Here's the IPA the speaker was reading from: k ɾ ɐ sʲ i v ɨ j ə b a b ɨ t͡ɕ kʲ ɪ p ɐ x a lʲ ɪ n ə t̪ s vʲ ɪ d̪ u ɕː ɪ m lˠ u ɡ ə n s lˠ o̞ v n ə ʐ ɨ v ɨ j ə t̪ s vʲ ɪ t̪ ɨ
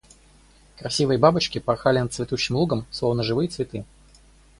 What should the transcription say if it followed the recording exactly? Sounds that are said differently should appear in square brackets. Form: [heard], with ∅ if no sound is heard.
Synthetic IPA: k ɾ ɐ sʲ i v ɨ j ə b a b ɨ t͡ɕ kʲ ɪ p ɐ x a lʲ ɪ n ə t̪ s vʲ ɪ [t̪] u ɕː ɪ m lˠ u ɡ ə [m] s lˠ o̞ v n ə ʐ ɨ v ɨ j ə t̪ s vʲ ɪ t̪ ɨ